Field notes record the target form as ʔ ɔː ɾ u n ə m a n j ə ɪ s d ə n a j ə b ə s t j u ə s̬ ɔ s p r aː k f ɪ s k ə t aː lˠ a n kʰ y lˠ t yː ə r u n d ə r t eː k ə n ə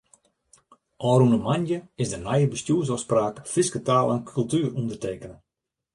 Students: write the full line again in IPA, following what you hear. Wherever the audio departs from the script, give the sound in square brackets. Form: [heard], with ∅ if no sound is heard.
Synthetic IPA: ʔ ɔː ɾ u n ə m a n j ə ɪ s d ə n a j ə b ə s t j u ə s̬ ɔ s p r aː k f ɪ s k ə t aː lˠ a n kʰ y lˠ t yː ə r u n d ə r t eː k ə n ə